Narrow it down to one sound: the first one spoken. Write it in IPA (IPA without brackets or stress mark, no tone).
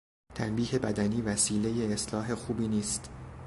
t̪ʰ